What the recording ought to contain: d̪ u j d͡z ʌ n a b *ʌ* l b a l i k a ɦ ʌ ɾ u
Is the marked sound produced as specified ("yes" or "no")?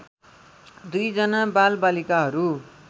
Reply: no